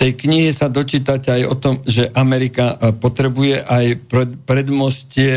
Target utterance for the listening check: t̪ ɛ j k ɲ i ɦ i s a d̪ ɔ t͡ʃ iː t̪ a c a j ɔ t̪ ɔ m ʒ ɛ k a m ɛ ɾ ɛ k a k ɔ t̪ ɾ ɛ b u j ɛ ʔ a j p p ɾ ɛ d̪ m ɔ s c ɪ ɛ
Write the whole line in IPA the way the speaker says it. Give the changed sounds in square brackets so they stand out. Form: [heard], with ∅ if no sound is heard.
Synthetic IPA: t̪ ɛ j k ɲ i ɦ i s a d̪ ɔ t͡ʃ iː t̪ a c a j ɔ t̪ ɔ m ʒ ɛ [ʔ] a m ɛ ɾ [i] k a [p] ɔ t̪ ɾ ɛ b u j ɛ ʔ a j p p ɾ ɛ d̪ m ɔ s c ɪ ɛ